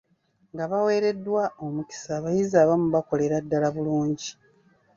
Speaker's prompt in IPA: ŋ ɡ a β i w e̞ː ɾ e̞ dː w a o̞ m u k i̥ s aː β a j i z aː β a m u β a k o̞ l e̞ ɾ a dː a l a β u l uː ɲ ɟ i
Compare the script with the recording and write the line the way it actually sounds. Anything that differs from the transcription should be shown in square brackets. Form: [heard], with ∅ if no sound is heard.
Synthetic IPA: ŋ ɡ a β [a] w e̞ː ɾ e̞ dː w a o̞ m u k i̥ s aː β a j i z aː β a m u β a k o̞ l e̞ ɾ a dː a l a β u l uː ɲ ɟ i